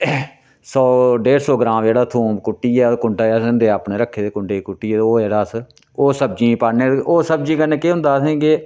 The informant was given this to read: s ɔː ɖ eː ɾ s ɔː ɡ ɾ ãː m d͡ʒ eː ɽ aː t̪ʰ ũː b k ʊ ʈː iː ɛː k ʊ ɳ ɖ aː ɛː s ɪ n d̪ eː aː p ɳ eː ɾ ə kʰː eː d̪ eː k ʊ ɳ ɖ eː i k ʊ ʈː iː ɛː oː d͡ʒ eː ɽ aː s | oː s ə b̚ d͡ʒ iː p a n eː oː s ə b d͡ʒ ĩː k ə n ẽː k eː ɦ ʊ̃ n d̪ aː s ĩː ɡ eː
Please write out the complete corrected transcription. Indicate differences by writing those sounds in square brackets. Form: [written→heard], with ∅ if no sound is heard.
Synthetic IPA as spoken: s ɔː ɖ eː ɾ s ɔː ɡ ɾ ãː m d͡ʒ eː ɽ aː t̪ʰ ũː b k ʊ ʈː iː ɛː k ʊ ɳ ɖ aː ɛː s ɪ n d̪ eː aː p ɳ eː ɾ ə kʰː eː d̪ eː k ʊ ɳ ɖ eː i k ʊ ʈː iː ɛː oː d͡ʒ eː ɽ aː s | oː s ə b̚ d͡ʒ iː p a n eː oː s ə b d͡ʒ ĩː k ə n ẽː k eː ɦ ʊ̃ n d̪ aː s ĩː ɡ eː